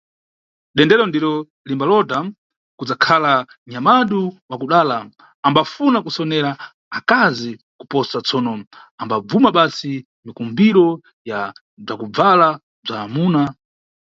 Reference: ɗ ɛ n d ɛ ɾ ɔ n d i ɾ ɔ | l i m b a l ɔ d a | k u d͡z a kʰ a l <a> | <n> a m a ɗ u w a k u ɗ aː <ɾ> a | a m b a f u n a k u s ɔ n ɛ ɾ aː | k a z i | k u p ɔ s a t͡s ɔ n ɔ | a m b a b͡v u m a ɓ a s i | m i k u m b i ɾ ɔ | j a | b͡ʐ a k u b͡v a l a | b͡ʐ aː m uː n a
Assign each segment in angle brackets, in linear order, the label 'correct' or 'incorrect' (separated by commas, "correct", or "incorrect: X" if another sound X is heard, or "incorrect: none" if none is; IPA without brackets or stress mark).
correct, incorrect: ɲ, incorrect: l